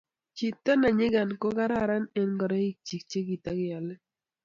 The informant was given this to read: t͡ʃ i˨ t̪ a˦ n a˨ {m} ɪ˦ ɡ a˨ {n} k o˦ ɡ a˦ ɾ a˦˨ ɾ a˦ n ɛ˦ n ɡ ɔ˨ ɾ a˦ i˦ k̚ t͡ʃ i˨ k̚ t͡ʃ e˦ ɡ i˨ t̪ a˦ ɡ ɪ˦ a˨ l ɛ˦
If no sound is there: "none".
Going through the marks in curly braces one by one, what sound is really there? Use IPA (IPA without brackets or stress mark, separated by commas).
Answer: ɲ, n